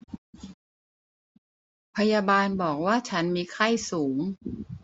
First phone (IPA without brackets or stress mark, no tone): pʰ